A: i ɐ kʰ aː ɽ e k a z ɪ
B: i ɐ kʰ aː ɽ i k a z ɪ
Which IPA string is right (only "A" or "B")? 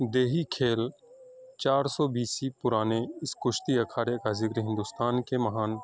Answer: A